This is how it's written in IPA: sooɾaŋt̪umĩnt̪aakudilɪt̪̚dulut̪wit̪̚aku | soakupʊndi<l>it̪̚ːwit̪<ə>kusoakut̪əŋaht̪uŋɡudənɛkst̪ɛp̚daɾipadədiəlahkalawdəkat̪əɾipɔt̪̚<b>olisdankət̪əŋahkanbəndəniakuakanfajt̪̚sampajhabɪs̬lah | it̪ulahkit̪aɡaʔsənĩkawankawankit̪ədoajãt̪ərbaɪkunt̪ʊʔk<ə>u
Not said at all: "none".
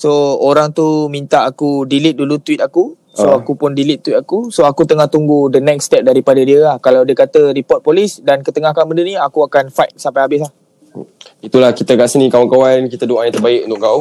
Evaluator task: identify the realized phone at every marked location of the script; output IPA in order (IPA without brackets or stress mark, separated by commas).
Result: l, a, p, a